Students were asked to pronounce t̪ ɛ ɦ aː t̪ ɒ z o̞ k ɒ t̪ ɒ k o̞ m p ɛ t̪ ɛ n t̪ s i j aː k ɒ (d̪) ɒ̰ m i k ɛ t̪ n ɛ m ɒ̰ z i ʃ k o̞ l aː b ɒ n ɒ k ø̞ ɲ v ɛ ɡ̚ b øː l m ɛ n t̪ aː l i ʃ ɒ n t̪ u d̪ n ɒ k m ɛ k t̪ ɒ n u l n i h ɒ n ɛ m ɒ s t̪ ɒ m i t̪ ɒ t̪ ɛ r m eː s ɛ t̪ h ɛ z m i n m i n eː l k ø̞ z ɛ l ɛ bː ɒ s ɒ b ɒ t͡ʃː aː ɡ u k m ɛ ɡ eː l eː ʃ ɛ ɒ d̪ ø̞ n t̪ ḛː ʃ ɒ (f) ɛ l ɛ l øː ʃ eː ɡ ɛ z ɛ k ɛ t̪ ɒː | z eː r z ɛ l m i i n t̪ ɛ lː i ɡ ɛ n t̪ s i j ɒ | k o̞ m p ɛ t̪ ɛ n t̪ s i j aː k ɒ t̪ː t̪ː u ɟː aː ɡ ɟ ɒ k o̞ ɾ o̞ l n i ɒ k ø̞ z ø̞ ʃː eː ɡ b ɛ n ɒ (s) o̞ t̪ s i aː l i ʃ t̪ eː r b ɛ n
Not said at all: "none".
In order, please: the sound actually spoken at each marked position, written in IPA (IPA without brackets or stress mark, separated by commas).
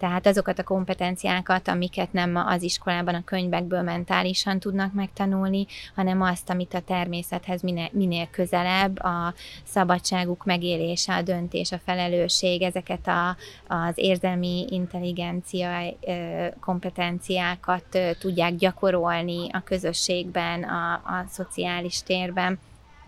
t̪, f, s